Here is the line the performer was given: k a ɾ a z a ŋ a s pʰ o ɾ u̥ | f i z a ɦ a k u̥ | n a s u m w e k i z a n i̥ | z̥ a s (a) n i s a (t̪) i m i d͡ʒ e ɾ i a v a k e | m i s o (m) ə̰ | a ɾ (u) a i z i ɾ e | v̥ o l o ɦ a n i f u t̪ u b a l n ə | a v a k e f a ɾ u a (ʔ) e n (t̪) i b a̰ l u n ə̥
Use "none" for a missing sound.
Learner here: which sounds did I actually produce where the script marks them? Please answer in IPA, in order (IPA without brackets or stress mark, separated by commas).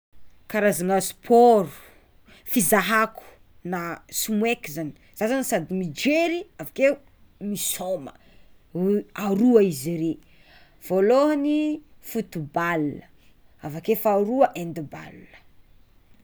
a, d̪, m, u, ʔ, d̪